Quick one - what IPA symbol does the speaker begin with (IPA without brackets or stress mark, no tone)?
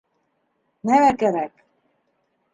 n